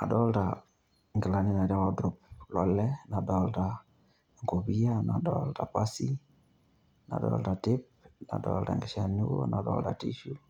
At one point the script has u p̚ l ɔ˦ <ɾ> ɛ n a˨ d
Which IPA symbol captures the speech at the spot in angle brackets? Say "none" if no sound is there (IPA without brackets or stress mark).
l